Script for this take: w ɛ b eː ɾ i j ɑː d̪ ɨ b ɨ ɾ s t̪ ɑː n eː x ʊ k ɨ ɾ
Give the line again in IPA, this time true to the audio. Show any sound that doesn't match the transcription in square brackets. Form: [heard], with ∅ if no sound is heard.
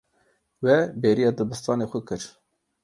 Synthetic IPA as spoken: w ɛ b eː ɾ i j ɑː d̪ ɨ b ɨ [∅] s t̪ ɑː n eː x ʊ k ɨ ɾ